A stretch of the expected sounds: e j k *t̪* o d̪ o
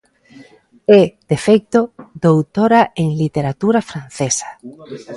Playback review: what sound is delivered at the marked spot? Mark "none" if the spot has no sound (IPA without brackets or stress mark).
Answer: t̪